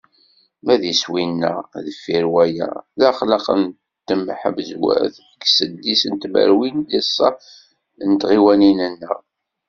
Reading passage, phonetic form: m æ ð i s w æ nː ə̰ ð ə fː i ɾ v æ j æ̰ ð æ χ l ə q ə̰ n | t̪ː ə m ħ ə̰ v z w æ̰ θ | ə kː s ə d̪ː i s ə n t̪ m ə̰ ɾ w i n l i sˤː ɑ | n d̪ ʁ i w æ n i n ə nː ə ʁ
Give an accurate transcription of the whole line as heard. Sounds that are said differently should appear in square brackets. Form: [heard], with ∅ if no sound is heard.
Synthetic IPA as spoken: m æ ð i s w [i] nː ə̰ ð ə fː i ɾ [w] æ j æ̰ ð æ χ l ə q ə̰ n | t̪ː ə m ħ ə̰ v z w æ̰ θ | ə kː s ə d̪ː i s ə n t̪ m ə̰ ɾ w i n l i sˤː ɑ | n [t̪] ʁ i w æ n i n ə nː ə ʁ